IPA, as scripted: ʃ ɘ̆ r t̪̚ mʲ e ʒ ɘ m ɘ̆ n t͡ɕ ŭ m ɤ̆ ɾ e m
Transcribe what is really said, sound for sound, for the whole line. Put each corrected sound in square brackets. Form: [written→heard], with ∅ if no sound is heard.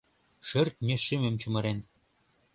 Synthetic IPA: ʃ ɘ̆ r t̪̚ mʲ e [ʒ→ʃ] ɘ m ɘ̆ [n→m] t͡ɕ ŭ m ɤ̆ ɾ e [m→n]